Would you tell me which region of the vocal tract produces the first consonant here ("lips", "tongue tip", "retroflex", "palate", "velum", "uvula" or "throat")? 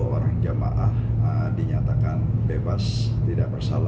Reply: tongue tip